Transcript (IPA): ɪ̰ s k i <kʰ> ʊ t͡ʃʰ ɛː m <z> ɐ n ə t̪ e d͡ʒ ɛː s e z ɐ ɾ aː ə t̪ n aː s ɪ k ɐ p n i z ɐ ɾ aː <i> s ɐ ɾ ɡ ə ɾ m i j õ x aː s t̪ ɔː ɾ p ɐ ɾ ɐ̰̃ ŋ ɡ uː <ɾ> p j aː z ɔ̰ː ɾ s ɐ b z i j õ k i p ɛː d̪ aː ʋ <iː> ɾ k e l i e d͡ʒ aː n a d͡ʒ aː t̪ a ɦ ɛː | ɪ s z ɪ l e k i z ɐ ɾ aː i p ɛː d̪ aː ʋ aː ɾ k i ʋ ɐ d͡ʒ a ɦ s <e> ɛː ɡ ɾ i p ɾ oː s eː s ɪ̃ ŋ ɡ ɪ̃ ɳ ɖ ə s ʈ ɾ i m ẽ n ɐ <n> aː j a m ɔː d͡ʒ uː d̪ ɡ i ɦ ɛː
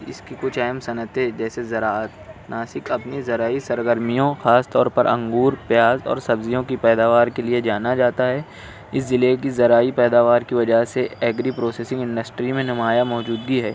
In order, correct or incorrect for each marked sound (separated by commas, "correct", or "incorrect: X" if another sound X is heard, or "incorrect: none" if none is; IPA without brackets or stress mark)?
incorrect: k, incorrect: s, correct, correct, incorrect: aː, correct, incorrect: m